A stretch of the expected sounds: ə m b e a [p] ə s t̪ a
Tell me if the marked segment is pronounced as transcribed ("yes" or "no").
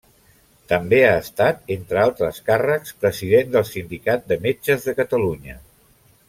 no